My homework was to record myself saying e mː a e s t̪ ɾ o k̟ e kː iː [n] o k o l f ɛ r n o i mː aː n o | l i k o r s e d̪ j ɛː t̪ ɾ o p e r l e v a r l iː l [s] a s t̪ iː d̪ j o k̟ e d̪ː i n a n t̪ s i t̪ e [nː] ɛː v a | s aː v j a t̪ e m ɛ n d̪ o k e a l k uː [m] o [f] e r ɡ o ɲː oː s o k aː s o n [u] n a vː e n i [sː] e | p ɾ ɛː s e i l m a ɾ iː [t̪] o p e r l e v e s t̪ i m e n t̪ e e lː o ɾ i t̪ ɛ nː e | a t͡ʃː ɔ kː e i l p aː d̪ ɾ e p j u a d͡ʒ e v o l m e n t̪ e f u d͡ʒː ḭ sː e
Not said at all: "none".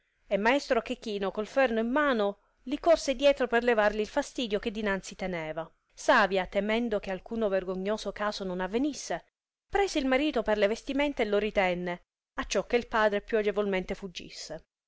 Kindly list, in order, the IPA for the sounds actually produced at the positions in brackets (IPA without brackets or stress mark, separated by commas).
n, f, n, n, v, o, sː, t̪